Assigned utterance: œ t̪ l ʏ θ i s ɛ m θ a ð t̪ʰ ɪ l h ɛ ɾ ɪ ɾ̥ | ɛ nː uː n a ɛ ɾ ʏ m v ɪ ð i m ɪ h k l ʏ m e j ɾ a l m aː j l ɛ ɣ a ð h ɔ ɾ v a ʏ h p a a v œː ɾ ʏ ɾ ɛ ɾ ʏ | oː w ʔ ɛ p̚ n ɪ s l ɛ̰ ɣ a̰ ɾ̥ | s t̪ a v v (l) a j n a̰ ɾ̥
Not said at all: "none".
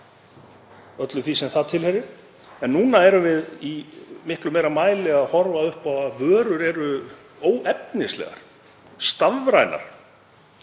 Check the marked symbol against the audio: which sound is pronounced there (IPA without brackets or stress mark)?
ɾ